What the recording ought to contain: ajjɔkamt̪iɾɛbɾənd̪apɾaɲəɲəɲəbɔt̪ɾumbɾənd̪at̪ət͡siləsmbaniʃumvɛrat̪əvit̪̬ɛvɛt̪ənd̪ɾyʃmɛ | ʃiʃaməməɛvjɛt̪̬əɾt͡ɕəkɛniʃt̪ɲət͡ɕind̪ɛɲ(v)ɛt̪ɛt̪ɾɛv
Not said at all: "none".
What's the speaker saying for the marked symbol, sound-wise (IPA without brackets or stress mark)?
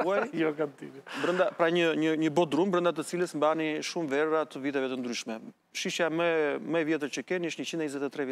z